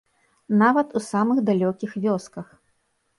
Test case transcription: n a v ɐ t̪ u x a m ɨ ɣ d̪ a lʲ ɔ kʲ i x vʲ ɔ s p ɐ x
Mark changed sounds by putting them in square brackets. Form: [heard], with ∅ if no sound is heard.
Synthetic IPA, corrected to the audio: n a v ɐ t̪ u [s] a m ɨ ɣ d̪ a lʲ ɔ kʲ i x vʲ ɔ s [k] ɐ x